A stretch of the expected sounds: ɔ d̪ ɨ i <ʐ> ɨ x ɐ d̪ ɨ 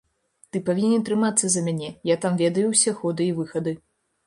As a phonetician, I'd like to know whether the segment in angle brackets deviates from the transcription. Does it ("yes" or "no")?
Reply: yes